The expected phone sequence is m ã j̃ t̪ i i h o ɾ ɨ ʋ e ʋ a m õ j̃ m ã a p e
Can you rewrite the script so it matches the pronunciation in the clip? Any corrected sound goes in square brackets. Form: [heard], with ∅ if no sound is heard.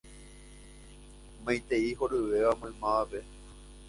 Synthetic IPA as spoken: m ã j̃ t̪ [e] i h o ɾ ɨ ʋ e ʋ a m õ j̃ m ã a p e